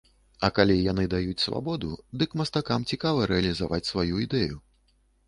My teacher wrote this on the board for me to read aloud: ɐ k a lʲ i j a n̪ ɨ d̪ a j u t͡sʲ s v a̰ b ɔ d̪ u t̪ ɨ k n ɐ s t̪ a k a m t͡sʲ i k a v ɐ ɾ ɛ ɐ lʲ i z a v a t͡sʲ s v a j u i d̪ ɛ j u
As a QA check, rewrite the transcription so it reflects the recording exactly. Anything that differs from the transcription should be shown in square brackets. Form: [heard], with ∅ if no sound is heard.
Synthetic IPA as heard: ɐ k a lʲ i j a n̪ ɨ d̪ a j u t͡sʲ s v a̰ b ɔ d̪ u [d̪] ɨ k [m] ɐ s t̪ a k a m t͡sʲ i k a v ɐ ɾ ɛ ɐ lʲ i z a v a t͡sʲ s v a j u i d̪ ɛ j u